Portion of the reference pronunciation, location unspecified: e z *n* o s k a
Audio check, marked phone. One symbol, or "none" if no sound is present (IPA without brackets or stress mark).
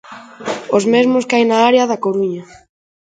m